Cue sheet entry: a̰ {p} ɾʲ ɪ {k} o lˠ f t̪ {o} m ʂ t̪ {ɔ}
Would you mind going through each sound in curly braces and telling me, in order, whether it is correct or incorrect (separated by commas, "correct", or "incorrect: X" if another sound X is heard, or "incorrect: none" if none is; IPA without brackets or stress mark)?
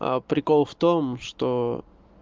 correct, correct, correct, incorrect: o